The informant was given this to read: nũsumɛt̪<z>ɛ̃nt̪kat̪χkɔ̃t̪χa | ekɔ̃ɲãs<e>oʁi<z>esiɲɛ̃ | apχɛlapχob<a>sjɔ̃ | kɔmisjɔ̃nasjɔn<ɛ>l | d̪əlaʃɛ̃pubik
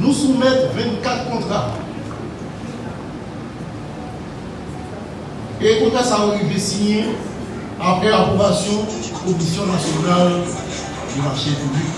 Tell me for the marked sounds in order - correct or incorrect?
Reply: incorrect, incorrect, incorrect, correct, incorrect

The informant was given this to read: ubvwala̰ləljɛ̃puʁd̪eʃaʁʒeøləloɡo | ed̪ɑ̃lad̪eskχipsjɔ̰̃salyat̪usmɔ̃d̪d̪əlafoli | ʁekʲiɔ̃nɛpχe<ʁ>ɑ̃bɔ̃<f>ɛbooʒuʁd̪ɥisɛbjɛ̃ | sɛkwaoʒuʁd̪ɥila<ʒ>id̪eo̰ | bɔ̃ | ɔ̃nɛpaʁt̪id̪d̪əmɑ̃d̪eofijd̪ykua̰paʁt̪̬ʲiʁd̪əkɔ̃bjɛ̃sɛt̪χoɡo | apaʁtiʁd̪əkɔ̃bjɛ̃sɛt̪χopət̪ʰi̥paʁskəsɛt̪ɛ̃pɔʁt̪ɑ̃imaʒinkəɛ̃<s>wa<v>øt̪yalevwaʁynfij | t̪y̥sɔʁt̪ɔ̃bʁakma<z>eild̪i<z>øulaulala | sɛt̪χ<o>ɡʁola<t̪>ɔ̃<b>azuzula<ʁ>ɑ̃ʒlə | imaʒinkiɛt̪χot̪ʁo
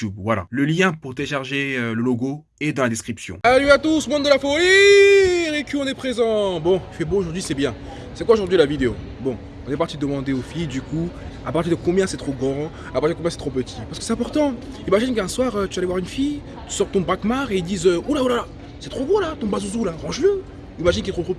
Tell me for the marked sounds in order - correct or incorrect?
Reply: incorrect, correct, incorrect, correct, incorrect, incorrect, correct, correct, correct, correct, correct

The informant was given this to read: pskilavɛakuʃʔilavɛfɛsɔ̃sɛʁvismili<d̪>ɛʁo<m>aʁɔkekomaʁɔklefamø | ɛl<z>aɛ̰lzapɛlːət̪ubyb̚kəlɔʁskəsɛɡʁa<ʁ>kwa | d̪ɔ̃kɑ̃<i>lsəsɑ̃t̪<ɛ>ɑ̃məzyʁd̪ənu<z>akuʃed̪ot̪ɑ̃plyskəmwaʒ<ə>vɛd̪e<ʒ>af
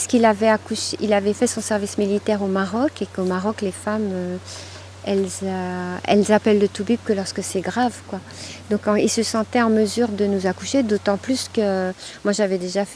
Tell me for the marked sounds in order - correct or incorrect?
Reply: incorrect, correct, correct, incorrect, correct, correct, correct, incorrect, correct

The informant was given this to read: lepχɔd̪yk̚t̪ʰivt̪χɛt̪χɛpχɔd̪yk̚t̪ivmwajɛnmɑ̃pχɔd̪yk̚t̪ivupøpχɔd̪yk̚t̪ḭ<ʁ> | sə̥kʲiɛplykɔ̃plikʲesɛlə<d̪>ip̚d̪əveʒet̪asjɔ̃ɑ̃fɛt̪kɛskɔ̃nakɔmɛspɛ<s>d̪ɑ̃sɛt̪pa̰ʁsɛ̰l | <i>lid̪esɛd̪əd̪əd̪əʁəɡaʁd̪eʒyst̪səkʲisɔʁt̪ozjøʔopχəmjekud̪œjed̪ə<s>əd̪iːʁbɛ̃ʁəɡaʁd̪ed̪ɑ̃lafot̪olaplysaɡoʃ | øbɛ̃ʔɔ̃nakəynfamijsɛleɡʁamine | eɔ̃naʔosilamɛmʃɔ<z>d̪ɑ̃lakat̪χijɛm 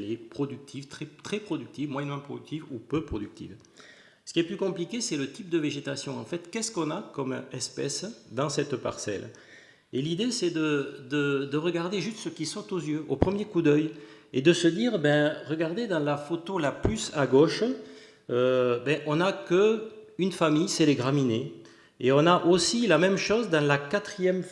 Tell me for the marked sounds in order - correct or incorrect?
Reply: incorrect, incorrect, correct, incorrect, correct, correct

